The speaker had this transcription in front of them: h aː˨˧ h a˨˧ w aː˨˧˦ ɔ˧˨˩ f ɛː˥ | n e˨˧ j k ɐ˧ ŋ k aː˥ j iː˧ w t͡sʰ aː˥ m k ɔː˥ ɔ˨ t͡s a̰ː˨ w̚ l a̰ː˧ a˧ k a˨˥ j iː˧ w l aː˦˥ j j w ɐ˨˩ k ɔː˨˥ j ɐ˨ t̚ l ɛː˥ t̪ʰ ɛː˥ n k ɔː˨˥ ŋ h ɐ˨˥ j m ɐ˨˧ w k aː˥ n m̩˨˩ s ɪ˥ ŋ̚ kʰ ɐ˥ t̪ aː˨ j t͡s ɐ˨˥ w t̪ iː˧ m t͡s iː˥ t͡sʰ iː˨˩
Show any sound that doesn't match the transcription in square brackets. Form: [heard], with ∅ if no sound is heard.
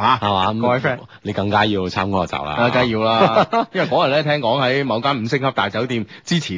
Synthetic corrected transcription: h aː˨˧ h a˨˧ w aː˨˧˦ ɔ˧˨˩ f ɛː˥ | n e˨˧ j k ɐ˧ ŋ k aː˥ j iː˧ w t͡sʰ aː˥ m k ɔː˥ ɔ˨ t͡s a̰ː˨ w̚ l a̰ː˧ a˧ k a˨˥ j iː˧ w l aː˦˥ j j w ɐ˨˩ k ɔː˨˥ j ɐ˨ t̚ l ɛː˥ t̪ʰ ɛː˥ [ŋ] k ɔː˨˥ ŋ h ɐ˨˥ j m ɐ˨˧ w k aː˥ n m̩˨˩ s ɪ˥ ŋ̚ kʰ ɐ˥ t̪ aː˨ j t͡s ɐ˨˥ w t̪ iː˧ m t͡s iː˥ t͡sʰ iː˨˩